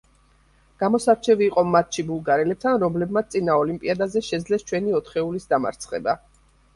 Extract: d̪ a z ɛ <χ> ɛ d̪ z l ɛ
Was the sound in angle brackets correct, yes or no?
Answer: no